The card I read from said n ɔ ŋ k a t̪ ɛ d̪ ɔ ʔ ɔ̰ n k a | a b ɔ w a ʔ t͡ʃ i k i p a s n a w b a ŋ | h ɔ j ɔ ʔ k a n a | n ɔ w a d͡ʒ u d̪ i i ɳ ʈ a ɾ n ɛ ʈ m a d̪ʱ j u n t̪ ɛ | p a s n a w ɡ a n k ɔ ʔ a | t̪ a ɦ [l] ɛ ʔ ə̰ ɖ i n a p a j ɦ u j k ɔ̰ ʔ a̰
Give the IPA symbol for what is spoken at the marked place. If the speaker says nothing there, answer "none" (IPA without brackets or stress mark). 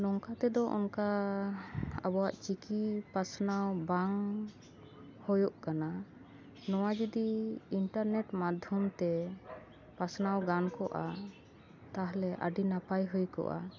l